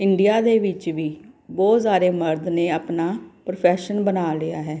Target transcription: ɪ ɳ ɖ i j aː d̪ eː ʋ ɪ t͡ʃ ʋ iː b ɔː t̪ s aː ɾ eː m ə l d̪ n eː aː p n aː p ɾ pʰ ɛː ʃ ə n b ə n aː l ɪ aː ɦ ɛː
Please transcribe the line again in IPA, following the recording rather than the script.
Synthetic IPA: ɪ ɳ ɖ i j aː d̪ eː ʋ ɪ t͡ʃ ʋ iː b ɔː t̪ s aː ɾ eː m ə ɾ d̪ n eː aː p n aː p ɾ pʰ ɛː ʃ ə n b ə n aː l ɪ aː ɦ ɛː

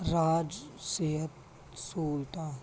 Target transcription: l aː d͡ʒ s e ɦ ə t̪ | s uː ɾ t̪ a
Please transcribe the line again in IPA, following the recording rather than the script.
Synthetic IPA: ɾ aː d͡ʒ s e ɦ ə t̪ | s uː l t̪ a

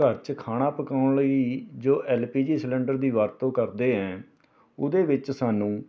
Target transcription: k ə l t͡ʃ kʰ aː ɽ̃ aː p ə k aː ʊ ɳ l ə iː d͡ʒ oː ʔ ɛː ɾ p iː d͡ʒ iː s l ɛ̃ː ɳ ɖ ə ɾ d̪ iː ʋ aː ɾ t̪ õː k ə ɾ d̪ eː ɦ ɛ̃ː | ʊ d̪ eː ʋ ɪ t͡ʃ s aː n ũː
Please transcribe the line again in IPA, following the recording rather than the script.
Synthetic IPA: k ə ɾ t͡ʃ kʰ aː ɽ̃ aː p ə k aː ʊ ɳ l ə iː d͡ʒ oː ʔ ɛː l p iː d͡ʒ iː s l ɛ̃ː ɳ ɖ ə ɾ d̪ iː ʋ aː ɾ t̪ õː k ə ɾ d̪ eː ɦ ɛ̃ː | ʊ d̪ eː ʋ ɪ t͡ʃ s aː n ũː

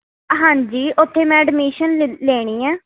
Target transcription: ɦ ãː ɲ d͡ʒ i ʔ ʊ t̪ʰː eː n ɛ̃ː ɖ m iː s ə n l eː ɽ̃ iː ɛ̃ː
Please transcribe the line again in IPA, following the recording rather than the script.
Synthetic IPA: ɦ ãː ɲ d͡ʒ iː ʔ ʊ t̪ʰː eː m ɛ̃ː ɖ m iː ʃ ə n l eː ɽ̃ iː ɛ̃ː

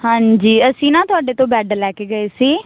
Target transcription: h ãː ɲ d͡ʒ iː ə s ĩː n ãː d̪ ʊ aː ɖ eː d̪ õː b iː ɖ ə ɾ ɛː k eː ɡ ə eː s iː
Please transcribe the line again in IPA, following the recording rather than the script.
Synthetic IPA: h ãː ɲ d͡ʒ iː ə s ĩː n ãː t̪ ʊ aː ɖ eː t̪ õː b ɛː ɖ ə l ɛː k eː ɡ ə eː s iː

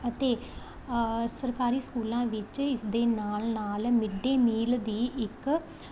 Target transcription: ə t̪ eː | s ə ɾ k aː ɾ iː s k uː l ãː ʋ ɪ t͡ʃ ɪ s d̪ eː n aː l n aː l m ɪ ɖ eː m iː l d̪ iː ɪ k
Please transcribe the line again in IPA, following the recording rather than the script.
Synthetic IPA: ə t̪ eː | s ə ɾ k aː ɾ iː s k uː l ãː ʋ ɪ t͡ʃ ɪ s d̪ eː n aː l n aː l m ɪ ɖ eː m iː l d̪ iː ɪ k

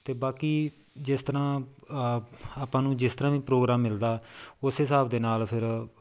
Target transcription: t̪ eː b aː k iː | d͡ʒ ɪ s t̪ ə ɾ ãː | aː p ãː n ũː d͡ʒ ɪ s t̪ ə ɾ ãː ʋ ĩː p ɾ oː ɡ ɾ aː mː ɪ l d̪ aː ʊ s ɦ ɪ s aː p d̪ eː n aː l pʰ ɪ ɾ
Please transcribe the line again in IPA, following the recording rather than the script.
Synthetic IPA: t̪ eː b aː k iː | d͡ʒ ɪ s t̪ ə ɾ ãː | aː p ãː n ũː d͡ʒ ɪ s t̪ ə ɾ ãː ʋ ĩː p ɾ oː ɡ ɾ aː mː ɪ l d̪ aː ʊ s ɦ ɪ s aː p d̪ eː n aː l pʰ ɪ ɾ

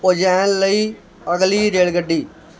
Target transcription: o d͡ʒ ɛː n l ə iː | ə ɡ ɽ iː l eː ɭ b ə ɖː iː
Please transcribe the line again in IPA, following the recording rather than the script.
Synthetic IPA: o d͡ʒ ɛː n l ə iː | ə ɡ l iː ɾ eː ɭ ɡ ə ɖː iː

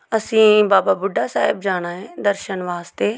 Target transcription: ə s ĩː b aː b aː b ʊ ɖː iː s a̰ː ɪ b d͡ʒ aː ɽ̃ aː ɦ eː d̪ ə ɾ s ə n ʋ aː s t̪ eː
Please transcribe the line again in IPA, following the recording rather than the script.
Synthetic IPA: ə s ĩː b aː b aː b ʊ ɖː aː s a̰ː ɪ b d͡ʒ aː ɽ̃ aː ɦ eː d̪ ə ɾ ʃ ə n ʋ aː s t̪ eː

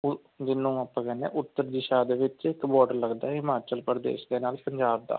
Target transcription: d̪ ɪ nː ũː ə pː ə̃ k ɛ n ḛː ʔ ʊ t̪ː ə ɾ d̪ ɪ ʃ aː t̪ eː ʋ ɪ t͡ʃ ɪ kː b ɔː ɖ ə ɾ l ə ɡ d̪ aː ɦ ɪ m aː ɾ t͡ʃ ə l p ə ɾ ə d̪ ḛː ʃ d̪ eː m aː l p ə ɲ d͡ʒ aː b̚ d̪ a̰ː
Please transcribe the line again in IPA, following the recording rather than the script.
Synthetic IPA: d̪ ɪ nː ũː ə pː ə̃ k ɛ n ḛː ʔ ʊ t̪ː ə ɾ d̪ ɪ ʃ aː d̪ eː ʋ ɪ t͡ʃ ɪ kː b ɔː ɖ ə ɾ l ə ɡ d̪ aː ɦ ɪ m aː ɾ t͡ʃ ə l p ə ɾ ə d̪ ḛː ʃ d̪ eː n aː l p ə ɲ d͡ʒ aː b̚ d̪ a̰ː

